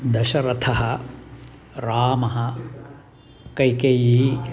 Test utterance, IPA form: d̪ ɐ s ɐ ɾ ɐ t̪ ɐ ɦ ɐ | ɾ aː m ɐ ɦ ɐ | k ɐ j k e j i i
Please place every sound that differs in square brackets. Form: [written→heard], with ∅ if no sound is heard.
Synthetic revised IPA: d̪ ɐ [s→ʃ] ɐ ɾ ɐ [t̪→t̪ʰ] ɐ ɦ ɐ | ɾ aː m ɐ ɦ ɐ | k ɐ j k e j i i